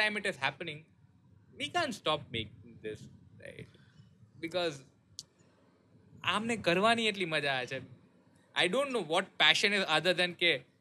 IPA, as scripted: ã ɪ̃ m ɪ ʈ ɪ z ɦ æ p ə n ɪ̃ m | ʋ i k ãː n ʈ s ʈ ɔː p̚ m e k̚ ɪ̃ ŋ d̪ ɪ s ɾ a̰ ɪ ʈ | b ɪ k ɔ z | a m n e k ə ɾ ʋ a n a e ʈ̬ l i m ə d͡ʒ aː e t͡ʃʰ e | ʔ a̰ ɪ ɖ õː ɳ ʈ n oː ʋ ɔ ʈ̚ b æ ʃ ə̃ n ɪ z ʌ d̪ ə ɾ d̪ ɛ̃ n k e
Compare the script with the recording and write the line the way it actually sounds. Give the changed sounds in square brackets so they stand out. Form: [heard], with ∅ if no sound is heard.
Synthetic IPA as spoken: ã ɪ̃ m ɪ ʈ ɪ z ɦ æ p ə n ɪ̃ [ŋ] | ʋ i k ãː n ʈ s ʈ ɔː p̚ m e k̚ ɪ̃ ŋ d̪ ɪ s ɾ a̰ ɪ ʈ | b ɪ k ɔ z | a m n e k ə ɾ ʋ a n [i] e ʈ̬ l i m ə d͡ʒ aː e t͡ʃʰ e | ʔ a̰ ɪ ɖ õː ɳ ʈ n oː ʋ ɔ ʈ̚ [p] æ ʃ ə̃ n ɪ z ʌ d̪ ə ɾ d̪ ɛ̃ n k e